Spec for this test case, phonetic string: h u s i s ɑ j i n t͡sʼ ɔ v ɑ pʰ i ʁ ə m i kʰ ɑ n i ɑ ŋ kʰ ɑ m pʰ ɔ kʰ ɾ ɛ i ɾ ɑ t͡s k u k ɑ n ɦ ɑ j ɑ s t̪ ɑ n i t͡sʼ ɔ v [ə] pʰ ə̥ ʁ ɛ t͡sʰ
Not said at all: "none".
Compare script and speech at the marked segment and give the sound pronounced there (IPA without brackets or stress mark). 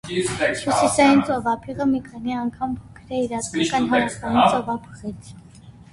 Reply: ɑ